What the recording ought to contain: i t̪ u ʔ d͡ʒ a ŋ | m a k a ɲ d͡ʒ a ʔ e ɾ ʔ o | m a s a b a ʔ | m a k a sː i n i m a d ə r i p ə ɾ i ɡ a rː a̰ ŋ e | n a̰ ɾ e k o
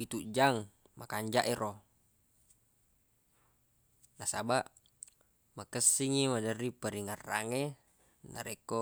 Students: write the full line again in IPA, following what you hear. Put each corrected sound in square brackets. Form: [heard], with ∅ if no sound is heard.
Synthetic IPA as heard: i t̪ u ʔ d͡ʒ a ŋ | m a k a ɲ d͡ʒ a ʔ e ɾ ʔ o | [n] a s a b a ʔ | m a k [ə] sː i [ŋ] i m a d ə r i p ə ɾ i [ŋ] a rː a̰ ŋ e | n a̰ ɾ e k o